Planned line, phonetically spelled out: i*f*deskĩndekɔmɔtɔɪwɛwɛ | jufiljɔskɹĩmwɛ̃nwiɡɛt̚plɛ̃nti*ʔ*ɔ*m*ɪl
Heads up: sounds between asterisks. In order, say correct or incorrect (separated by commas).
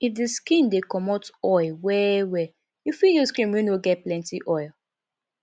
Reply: correct, correct, incorrect